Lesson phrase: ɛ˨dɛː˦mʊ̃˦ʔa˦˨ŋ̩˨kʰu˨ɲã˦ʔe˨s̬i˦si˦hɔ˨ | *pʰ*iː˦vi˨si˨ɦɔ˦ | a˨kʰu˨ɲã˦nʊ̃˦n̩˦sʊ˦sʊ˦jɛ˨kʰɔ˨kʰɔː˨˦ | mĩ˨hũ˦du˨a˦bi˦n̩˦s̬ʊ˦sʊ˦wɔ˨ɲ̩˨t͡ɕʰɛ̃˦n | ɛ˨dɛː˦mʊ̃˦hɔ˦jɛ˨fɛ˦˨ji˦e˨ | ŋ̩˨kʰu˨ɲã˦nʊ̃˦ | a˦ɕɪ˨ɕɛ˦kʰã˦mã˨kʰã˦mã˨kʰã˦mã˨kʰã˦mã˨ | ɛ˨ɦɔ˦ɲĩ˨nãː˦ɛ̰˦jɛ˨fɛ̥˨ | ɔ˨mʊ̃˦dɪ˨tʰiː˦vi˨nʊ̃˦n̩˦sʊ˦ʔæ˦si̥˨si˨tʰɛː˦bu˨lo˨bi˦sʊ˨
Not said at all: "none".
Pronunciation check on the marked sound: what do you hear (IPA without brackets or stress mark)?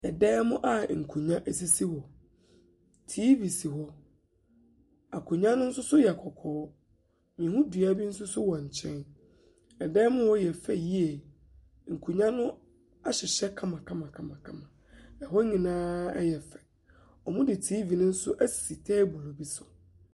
tʰ